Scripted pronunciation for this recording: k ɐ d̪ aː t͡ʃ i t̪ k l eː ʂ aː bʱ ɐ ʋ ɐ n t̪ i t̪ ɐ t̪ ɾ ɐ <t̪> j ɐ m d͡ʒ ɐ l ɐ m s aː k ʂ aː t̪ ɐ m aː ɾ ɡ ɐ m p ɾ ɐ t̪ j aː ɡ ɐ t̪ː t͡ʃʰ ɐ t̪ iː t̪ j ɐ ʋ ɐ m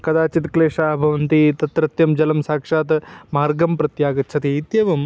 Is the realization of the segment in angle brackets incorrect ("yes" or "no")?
no